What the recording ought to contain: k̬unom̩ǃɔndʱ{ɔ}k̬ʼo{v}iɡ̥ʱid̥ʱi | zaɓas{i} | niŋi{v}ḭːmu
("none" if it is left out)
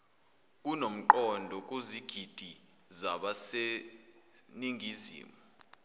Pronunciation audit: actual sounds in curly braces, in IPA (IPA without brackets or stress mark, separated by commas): ɔ, z, e, z